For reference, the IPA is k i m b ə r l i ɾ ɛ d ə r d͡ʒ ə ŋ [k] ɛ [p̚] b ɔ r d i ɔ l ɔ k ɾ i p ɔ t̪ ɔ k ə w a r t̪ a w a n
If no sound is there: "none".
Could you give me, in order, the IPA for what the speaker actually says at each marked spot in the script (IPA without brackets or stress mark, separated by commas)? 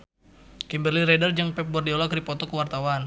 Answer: p, p̚